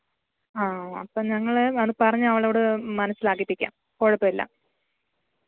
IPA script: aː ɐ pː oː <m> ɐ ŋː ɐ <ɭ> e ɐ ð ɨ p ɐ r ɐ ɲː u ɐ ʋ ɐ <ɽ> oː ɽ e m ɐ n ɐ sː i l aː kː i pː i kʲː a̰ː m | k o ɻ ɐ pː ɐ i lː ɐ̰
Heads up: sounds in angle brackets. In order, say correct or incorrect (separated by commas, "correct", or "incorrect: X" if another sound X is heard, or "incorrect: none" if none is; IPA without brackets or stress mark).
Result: incorrect: ɲ, correct, incorrect: ɭ